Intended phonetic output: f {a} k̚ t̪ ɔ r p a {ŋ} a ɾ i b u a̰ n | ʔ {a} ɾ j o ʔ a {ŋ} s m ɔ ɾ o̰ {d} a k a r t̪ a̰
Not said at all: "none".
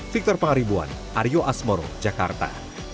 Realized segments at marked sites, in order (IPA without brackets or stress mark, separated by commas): i, ŋ, a, none, d͡ʒ